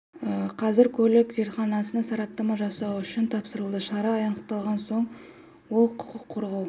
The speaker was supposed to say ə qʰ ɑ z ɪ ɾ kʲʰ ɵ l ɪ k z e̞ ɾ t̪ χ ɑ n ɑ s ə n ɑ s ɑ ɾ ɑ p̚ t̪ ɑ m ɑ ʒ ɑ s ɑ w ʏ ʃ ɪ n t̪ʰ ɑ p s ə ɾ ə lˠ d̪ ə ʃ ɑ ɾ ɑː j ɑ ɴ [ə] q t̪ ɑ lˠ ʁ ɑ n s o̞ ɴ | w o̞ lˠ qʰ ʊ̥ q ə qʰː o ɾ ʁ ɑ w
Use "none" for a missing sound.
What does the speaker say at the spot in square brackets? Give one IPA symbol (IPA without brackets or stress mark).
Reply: ə